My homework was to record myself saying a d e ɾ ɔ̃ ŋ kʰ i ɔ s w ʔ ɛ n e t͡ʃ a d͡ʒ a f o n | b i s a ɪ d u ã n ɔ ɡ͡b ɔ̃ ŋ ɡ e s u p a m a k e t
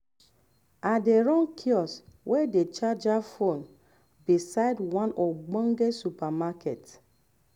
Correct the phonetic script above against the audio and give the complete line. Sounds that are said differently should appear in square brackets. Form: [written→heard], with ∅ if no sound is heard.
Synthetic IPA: a d e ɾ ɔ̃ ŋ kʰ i ɔ s w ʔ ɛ [n→d] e t͡ʃ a d͡ʒ a f o n | b i s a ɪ d [u→w] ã n ɔ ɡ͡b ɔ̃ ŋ ɡ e s u p a m a k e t